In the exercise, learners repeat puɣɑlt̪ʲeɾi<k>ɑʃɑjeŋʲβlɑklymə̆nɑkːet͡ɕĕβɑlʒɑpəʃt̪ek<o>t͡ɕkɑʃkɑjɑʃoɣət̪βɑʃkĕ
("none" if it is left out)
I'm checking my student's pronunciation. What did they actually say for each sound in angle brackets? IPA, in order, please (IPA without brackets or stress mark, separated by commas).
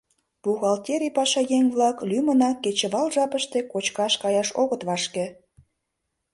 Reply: p, o